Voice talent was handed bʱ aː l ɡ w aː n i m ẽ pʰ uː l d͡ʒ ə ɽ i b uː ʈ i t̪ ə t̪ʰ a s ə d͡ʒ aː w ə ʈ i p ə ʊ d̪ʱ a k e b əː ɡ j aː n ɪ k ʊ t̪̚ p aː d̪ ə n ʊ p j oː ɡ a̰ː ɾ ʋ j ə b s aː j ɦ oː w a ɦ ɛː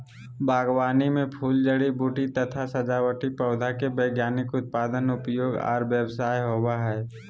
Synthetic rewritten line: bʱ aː ɡ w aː n i m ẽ pʰ uː l d͡ʒ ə ɽ i b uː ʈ i t̪ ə t̪ʰ a s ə d͡ʒ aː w ə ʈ i p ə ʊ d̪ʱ a k e b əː ɡ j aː n ɪ k ʊ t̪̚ p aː d̪ ə n ʊ p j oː ɡ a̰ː ɾ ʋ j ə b s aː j ɦ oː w a ɦ ɛː